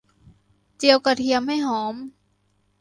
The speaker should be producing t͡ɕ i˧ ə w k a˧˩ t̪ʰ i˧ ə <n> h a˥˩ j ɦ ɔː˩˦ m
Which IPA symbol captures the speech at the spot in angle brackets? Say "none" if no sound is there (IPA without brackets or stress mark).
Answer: m